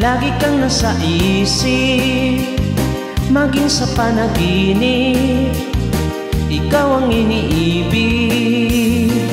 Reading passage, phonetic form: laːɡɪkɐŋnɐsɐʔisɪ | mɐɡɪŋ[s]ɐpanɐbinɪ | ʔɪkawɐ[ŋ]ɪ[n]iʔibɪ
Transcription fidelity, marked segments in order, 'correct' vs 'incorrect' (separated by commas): correct, correct, correct